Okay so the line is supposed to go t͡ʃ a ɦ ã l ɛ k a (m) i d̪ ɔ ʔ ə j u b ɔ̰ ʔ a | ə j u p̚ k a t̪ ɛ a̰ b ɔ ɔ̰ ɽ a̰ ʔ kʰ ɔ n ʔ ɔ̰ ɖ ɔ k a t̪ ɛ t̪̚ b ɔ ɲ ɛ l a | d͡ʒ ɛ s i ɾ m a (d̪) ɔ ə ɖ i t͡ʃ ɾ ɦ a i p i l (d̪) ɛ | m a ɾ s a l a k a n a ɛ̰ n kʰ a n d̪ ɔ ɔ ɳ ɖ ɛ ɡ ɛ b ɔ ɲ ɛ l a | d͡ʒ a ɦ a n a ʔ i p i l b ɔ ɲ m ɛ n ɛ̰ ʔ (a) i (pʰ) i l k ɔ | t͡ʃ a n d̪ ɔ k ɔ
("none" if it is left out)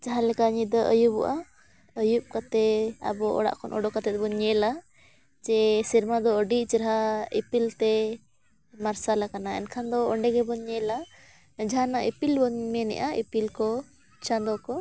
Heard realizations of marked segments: ɲ, d̪, t̪, a, p

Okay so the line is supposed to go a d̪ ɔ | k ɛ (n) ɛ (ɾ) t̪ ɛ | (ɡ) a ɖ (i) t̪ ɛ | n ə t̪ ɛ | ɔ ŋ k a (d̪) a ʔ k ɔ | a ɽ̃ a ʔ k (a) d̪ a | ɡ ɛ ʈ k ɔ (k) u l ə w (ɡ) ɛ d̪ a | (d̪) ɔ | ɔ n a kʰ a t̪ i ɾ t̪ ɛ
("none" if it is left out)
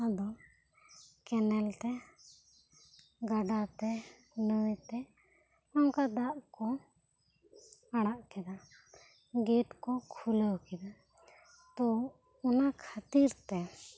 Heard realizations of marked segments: n, l, ɡ, a, d̪, ɛ, kʰ, k, t̪

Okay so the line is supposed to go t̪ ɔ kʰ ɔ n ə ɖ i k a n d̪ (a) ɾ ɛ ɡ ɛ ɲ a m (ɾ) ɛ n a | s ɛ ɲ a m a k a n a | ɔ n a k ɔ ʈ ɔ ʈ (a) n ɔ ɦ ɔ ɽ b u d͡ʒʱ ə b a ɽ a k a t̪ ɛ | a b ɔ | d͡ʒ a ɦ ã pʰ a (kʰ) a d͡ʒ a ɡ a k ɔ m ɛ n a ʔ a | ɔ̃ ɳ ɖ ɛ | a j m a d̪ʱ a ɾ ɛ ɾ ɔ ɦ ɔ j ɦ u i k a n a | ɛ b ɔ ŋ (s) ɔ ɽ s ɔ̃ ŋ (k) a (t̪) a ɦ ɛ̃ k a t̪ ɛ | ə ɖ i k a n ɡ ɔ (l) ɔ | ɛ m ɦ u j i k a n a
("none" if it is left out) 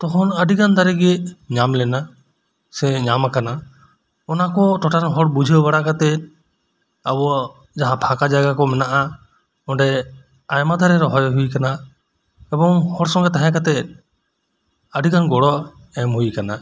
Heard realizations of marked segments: a, l, a, k, h, ɡ, t̪, ɽ

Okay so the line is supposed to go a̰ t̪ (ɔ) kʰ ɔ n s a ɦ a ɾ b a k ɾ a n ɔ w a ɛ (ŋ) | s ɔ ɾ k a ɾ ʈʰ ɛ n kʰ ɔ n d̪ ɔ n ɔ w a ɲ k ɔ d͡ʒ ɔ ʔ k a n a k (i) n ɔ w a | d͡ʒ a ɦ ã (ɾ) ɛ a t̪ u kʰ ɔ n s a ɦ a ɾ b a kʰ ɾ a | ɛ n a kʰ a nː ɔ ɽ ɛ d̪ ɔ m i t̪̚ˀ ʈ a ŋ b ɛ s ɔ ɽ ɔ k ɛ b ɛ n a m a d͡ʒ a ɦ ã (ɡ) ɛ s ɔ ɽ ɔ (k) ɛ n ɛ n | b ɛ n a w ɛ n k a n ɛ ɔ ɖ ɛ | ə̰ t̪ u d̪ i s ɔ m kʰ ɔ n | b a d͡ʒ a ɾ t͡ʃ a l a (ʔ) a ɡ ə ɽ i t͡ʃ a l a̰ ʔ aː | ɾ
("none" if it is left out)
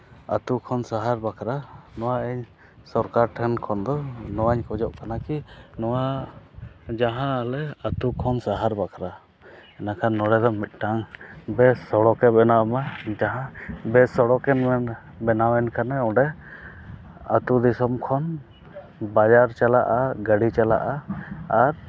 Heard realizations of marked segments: u, ɲ, i, l, b, k, ʔ

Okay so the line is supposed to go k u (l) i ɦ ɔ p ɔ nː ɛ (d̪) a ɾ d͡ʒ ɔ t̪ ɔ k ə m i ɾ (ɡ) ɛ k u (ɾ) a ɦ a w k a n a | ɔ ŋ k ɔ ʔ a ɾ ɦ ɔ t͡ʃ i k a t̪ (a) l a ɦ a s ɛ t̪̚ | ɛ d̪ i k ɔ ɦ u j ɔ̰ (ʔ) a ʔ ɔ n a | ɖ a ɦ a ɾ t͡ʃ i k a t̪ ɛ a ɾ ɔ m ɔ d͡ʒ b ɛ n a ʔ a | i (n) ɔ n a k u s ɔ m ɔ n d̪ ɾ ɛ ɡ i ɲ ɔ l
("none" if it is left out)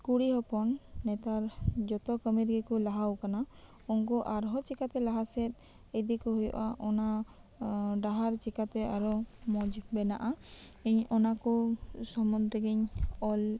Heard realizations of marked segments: ɽ, t̪, ɡ, l, ɛ, ʔ, ɲ

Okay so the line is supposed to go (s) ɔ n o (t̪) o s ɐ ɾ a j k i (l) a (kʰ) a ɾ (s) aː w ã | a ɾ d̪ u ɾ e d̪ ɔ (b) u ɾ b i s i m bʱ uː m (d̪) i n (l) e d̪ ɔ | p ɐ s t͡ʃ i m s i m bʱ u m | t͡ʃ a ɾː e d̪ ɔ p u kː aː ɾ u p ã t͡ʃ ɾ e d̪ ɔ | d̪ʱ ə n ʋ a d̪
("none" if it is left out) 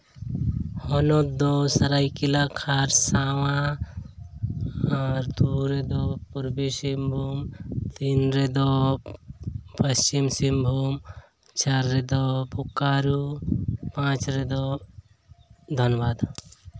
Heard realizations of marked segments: h, d̪, l, kʰ, s, p, t̪, ɾ

